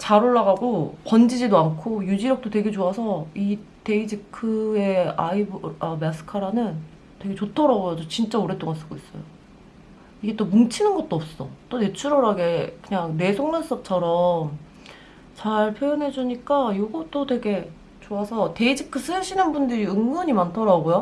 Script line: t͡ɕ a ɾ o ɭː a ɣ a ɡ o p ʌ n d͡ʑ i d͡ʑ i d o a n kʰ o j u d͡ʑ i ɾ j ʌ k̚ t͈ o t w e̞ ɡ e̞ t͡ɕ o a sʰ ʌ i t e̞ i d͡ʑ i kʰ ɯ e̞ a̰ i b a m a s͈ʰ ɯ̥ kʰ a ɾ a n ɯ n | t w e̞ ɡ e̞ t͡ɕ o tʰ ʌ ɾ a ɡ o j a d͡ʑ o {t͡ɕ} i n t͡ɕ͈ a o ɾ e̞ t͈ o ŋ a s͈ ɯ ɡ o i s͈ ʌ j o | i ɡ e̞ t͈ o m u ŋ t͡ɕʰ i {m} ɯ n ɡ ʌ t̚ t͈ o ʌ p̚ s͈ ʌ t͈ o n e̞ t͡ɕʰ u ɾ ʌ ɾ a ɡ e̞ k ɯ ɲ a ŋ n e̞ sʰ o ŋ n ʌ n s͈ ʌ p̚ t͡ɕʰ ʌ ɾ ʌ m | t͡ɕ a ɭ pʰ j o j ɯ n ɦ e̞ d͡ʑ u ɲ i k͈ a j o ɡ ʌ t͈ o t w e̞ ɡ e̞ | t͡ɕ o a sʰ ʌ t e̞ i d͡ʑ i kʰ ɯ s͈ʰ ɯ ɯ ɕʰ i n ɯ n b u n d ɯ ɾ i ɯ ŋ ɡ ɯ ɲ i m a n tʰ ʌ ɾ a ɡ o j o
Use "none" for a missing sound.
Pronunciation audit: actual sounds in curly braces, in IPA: t͡ɕ, n

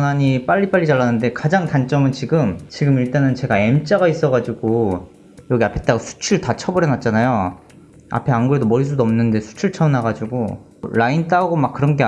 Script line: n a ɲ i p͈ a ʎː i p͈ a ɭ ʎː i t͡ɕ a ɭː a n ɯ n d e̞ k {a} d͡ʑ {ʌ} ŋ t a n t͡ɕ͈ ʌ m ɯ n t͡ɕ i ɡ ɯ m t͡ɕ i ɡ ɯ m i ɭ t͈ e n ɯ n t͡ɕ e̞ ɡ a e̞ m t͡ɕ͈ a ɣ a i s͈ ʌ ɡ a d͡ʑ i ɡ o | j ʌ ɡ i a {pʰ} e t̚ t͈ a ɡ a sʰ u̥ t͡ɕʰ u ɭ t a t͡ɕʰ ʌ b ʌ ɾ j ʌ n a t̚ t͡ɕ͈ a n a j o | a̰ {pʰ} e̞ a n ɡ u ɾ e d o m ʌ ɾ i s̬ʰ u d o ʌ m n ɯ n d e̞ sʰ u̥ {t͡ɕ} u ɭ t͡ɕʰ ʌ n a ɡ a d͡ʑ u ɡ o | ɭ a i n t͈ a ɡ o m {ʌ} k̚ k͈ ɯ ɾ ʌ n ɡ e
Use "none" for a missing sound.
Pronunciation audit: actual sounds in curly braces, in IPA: a, a, pʰ, pʰ, t͡ɕʰ, a

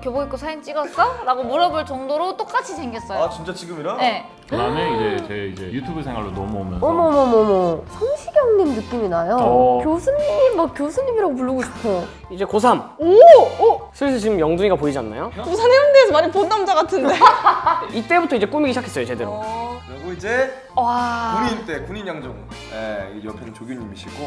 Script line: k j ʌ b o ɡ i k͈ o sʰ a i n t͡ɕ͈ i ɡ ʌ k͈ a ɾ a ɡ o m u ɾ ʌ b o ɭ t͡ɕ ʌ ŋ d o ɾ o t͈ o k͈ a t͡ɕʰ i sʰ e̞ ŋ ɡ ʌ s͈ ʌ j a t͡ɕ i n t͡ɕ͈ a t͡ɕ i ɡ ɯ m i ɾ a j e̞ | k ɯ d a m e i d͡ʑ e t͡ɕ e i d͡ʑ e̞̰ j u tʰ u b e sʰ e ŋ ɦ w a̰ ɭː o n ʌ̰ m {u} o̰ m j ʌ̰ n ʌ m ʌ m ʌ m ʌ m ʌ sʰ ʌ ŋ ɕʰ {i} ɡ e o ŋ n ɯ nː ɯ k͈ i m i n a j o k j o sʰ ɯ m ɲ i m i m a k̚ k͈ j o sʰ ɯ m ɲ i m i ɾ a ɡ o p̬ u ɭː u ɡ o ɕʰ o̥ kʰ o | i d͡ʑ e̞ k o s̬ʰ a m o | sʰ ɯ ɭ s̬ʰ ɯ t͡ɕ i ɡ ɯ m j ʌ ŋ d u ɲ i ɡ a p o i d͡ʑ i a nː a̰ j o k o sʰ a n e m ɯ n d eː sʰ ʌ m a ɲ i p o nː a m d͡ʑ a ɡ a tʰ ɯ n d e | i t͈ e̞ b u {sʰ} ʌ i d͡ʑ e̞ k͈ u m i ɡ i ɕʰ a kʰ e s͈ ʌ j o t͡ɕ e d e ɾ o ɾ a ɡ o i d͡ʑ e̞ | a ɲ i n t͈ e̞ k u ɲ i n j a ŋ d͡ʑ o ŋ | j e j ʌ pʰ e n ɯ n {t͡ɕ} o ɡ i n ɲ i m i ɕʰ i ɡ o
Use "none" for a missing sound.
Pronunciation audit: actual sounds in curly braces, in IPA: u, i, tʰ, t͡ɕ

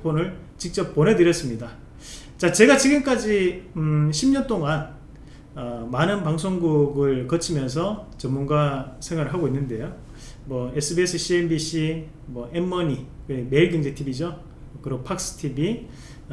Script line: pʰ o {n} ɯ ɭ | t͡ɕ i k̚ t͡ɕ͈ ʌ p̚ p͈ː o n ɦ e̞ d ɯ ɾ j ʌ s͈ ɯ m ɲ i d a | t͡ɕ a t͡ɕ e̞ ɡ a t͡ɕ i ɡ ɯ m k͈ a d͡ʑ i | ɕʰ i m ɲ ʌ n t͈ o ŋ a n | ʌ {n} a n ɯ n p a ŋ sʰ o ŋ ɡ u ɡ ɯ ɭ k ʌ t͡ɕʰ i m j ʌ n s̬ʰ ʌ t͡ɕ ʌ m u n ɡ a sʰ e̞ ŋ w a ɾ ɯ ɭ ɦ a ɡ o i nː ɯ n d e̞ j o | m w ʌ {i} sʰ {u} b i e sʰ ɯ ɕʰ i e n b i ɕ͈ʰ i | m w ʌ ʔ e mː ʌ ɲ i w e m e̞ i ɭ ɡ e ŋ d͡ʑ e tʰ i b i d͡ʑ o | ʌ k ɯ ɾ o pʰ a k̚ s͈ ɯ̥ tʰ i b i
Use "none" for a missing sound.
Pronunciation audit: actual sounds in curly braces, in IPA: n, m, e, ɯ

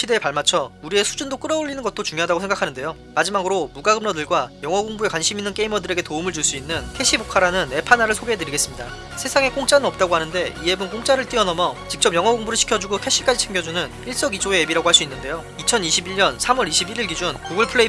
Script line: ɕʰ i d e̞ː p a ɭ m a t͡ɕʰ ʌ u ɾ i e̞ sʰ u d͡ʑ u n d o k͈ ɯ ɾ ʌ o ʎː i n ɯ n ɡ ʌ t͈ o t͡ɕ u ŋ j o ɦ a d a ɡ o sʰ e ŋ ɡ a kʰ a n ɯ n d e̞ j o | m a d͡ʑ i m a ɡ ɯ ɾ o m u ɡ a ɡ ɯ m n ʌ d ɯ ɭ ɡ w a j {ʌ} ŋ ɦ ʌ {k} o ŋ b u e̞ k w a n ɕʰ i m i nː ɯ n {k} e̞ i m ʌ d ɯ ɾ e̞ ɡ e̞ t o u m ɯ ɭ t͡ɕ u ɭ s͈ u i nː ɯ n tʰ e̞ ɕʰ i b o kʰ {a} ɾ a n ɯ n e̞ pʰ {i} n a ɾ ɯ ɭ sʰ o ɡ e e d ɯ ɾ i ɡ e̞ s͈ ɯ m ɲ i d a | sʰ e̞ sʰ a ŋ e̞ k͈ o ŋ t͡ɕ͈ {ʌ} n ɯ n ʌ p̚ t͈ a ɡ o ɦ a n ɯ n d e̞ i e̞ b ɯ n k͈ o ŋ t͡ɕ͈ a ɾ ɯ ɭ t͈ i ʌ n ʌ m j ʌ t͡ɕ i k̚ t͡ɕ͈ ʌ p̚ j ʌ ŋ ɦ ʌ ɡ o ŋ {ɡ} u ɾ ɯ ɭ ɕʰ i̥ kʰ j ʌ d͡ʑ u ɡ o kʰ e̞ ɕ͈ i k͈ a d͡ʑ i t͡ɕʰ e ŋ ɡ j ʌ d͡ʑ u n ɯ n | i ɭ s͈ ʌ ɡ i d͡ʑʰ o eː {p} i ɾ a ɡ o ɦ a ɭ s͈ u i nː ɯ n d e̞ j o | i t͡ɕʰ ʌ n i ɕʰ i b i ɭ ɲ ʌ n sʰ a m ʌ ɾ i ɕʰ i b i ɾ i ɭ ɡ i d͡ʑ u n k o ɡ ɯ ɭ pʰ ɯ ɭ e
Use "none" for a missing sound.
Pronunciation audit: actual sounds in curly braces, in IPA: ʌ, ɡ, k, a, a, a, b, b

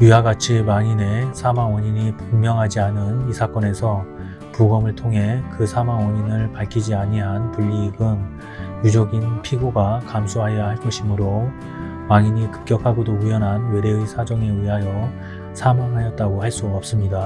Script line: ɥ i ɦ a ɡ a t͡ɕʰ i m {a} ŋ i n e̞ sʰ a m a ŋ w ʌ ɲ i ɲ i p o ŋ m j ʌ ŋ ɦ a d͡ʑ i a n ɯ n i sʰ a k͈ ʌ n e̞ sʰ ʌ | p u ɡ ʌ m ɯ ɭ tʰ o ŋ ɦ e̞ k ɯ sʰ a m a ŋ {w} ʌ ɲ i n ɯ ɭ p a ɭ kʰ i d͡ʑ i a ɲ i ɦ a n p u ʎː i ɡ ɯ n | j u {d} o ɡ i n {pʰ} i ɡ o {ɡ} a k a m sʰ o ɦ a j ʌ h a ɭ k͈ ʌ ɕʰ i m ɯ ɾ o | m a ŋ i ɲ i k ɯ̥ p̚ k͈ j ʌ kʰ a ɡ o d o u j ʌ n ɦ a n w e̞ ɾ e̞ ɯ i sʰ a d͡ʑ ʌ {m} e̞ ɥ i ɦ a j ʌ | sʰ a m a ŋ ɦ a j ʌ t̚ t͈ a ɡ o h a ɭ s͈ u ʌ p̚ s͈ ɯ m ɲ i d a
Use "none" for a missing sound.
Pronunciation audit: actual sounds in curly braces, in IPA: a, w, d͡ʑ, pʰ, ɡ, ŋ

